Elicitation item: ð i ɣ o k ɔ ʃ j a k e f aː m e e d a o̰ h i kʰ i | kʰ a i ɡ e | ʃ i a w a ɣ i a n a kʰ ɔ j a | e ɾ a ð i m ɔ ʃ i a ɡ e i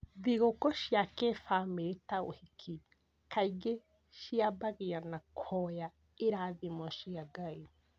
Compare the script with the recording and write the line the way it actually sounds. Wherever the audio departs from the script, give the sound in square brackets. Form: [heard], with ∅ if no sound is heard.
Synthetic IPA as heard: ð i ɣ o k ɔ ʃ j a k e f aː m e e [t] a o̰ h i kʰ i | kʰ a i ɡ e | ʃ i a [b] a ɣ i a n a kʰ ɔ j a | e ɾ a ð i m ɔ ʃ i a ɡ [a] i